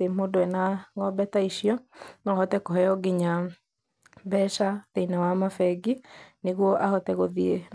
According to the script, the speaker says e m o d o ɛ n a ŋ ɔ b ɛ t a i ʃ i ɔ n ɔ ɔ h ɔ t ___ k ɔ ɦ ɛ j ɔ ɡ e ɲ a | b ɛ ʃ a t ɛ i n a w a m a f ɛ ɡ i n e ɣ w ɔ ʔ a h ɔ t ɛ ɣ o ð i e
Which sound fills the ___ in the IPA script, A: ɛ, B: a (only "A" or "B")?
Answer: A